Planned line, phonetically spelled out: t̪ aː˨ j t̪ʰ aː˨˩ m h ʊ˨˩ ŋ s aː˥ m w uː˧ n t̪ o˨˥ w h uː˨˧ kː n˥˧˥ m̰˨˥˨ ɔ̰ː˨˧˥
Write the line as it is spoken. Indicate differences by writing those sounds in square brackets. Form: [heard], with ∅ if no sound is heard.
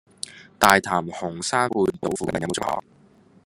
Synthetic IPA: t̪ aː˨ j t̪ʰ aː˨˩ m h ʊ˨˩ ŋ s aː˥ [ŋ] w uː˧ n t̪ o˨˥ w [f] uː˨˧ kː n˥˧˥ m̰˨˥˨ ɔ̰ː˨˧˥

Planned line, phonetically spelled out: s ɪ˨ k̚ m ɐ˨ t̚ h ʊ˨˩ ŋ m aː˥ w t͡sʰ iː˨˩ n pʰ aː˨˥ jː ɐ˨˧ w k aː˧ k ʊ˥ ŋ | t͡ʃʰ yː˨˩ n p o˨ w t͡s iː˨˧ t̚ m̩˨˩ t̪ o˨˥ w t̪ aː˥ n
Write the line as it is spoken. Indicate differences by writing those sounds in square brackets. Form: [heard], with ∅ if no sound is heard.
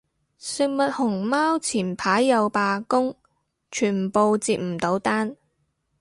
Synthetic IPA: s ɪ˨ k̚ m ɐ˨ t̚ h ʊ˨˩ ŋ m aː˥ w t͡sʰ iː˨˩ n pʰ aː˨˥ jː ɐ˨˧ w [p] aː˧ k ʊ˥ ŋ | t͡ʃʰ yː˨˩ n p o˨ w t͡s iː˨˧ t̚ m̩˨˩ t̪ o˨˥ w t̪ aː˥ n

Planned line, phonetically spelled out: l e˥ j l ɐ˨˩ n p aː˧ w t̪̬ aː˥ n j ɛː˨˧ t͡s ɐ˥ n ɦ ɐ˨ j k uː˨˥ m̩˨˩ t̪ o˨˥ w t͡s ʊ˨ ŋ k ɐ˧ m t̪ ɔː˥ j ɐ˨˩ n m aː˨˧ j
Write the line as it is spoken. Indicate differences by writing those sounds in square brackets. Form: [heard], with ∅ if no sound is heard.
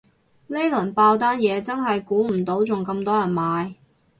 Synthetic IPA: l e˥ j l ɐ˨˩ n p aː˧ w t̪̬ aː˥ n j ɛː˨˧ t͡s ɐ˥ n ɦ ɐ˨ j k uː˨˥ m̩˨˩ t̪ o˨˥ w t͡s ʊ˨ ŋ k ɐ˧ m t̪ ɔː˥ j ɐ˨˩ n m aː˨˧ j

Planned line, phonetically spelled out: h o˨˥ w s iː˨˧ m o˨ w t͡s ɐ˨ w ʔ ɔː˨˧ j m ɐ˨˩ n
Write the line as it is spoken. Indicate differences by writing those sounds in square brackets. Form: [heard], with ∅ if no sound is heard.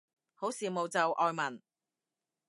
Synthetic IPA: h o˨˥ w s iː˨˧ m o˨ w t͡s ɐ˨ w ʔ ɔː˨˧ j m ɐ˨˩ n

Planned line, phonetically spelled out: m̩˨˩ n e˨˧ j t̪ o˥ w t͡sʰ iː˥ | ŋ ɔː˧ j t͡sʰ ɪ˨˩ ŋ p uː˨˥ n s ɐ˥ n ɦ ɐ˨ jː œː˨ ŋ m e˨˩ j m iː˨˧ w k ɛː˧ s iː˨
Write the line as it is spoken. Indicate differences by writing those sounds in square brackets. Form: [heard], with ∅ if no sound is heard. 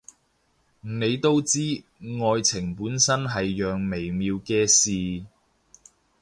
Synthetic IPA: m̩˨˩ n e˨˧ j t̪ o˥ w [t͡s] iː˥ | ŋ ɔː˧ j t͡sʰ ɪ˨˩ ŋ p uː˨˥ n s ɐ˥ n ɦ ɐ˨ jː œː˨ ŋ m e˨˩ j m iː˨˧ w k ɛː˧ s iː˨

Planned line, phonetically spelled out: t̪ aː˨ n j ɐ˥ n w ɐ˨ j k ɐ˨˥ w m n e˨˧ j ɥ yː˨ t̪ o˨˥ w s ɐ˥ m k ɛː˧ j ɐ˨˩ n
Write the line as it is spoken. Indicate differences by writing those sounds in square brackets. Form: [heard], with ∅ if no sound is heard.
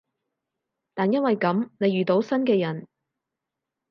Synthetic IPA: t̪ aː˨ n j ɐ˥ n w ɐ˨ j k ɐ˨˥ [∅] m n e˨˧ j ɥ yː˨ t̪ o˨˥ w s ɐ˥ [n] k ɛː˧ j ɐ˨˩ n

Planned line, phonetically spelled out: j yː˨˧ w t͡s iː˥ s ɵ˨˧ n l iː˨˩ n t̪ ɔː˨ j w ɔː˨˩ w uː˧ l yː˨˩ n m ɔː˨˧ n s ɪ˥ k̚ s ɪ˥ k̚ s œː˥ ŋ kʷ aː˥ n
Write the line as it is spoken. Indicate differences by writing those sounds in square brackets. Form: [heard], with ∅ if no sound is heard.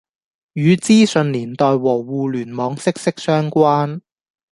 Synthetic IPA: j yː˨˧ [∅] t͡s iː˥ s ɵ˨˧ n l iː˨˩ n t̪ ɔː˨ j w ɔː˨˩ w uː˧ l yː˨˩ n m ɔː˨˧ [ŋ] s ɪ˥ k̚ s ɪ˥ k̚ s œː˥ ŋ kʷ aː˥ n

